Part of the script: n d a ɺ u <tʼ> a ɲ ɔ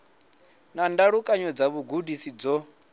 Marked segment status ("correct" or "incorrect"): incorrect